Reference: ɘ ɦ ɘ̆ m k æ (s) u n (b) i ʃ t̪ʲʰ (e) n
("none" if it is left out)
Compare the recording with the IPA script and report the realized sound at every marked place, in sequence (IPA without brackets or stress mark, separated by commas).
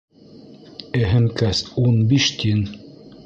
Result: s, b, i